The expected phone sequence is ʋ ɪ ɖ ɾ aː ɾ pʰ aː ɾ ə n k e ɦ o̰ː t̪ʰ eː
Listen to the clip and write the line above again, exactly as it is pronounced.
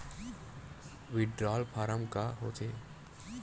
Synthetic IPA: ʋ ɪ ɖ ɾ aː l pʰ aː ɾ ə m k a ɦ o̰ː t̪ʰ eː